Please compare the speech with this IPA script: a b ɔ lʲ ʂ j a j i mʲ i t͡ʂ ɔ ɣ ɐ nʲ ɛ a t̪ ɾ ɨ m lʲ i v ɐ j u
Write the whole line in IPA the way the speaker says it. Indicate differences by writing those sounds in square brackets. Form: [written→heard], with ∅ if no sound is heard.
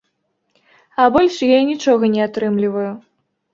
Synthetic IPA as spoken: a b ɔ lʲ ʂ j a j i [mʲ→nʲ] i t͡ʂ ɔ ɣ ɐ nʲ ɛ a t̪ ɾ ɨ m lʲ i v ɐ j u